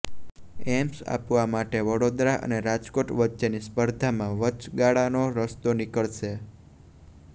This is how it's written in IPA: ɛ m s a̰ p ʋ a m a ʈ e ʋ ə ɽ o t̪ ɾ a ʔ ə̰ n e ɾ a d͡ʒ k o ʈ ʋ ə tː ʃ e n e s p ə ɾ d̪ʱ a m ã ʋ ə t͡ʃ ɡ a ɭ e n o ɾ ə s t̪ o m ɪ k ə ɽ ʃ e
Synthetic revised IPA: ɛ m s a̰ p ʋ a m a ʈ e ʋ ə ɽ o d̪ ɾ a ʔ ə̰ n e ɾ a d͡ʒ k o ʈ ʋ ə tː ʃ e n i s p ə ɾ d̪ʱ a m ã ʋ ə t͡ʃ ɡ a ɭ a n o ɾ ə s t̪ o n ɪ k ə ɭ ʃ e